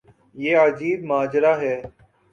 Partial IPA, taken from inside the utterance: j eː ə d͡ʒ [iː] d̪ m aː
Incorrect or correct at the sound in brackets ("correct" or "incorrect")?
correct